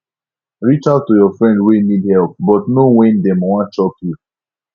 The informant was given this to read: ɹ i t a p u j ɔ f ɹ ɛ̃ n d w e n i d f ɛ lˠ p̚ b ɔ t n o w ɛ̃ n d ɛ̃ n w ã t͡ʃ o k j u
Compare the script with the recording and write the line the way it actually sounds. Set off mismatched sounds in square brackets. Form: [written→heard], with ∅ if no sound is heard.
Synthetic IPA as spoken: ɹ i [t→t͡ʃ] a [p→t] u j ɔ f ɹ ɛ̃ n d w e n i d [f→h] ɛ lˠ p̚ b ɔ t n o w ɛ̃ n d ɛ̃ [n→m] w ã t͡ʃ [o→ɔ] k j u